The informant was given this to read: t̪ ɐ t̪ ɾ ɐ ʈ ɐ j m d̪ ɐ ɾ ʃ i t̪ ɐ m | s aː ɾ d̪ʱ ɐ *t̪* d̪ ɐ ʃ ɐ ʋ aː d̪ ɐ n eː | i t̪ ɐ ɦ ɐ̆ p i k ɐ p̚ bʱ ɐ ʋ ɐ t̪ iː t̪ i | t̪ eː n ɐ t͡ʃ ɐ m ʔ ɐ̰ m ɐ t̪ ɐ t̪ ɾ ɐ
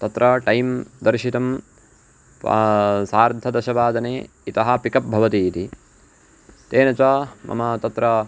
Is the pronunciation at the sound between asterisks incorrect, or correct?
incorrect